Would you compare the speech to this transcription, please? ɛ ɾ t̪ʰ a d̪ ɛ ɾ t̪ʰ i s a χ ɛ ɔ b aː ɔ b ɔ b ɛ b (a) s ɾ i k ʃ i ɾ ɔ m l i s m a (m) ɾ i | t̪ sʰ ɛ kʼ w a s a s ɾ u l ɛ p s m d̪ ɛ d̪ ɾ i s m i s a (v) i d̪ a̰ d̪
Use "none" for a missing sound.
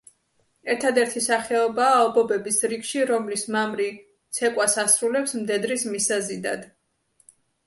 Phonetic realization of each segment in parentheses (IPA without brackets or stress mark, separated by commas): i, m, z